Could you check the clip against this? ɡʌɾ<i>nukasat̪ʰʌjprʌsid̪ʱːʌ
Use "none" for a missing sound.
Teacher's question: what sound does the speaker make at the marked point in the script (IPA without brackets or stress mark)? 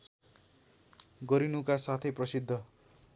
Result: i